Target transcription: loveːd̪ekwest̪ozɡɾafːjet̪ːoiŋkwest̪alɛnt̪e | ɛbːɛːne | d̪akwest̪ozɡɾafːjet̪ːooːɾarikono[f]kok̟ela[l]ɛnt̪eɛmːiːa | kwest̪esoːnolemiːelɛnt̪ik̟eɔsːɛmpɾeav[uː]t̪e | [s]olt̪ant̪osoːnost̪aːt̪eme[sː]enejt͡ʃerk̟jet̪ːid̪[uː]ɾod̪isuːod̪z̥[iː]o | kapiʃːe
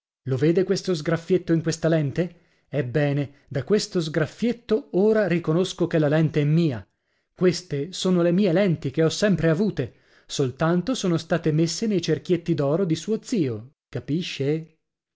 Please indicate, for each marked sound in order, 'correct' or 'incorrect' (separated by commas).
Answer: incorrect, correct, correct, correct, correct, incorrect, correct